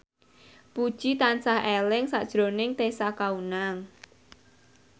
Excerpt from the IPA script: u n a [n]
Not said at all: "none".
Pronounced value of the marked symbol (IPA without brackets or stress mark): ŋ